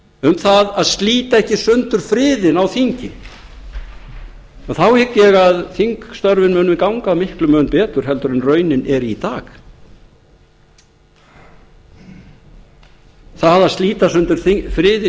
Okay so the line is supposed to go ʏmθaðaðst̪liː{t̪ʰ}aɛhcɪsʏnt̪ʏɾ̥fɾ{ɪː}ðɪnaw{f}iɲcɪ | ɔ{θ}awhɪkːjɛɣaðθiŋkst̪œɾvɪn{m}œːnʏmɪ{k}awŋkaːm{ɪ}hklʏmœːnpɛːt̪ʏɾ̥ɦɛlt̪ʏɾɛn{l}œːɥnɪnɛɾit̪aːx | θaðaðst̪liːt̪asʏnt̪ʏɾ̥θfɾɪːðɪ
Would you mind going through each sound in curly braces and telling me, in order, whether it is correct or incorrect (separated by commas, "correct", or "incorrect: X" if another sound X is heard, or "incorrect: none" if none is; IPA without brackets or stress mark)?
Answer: incorrect: t̪, correct, incorrect: θ, correct, correct, correct, correct, incorrect: r